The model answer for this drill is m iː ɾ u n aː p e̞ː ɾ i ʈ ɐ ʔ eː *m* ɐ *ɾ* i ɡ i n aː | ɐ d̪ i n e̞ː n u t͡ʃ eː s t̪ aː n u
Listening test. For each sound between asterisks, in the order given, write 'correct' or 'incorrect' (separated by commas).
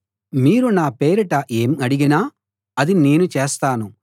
correct, incorrect